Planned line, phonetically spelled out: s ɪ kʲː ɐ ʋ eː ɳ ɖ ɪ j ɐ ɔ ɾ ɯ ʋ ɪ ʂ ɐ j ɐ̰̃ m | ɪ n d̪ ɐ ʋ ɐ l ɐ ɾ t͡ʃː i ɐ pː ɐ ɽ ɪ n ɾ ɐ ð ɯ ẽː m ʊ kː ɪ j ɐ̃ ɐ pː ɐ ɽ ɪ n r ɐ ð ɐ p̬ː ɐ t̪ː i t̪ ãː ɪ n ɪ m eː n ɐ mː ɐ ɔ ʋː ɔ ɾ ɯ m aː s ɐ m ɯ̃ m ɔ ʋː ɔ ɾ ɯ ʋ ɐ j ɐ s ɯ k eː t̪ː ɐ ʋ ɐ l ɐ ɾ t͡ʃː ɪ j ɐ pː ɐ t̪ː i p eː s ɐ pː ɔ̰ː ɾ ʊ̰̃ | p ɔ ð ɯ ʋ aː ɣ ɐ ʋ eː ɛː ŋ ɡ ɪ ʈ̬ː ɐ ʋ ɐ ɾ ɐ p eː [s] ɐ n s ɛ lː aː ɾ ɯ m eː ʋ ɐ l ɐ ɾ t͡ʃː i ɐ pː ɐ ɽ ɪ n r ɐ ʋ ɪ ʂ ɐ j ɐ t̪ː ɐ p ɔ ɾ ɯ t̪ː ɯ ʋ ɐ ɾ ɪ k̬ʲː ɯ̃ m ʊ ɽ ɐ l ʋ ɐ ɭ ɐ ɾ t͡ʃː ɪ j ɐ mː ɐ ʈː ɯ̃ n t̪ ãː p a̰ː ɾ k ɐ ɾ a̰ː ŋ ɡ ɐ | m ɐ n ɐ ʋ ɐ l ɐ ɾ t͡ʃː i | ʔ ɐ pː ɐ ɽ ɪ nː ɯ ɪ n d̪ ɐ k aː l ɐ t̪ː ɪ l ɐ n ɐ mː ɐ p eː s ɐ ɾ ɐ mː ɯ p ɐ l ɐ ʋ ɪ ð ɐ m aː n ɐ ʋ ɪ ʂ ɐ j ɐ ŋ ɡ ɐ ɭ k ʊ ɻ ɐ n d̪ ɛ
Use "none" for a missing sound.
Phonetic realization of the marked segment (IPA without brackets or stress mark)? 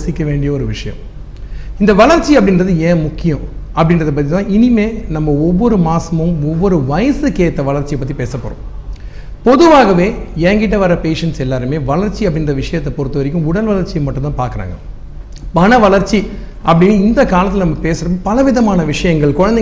ʂ